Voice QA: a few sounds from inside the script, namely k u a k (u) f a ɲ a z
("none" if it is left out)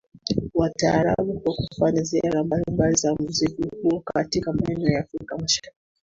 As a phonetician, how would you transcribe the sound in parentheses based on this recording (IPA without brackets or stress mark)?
u